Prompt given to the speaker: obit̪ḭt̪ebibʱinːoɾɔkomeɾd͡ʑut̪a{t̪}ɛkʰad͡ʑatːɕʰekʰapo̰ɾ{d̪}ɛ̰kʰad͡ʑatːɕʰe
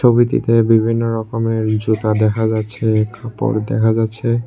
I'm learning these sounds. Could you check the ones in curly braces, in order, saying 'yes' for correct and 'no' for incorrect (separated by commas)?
no, yes